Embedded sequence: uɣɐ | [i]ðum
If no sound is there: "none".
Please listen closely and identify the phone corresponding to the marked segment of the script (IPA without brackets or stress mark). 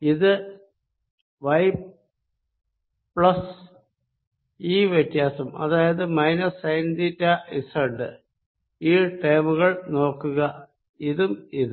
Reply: i